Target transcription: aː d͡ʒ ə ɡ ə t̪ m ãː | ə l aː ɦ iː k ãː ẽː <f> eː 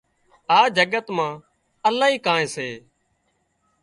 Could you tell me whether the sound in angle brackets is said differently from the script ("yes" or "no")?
yes